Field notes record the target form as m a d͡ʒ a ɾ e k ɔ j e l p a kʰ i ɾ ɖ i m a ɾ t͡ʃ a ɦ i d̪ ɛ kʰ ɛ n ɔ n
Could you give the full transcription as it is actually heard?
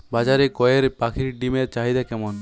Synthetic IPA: b a d͡ʒ a ɾ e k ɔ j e ɾ p a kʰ i ɾ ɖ i m e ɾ t͡ʃ a ɦ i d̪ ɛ k ɛ m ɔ n